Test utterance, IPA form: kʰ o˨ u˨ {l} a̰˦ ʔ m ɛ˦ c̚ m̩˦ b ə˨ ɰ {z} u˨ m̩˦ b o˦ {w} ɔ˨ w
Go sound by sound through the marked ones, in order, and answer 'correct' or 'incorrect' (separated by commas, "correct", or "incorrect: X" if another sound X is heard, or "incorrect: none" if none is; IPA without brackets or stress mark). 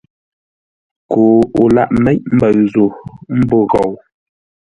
correct, correct, incorrect: ɣ